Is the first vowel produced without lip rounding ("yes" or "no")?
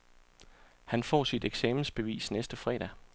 yes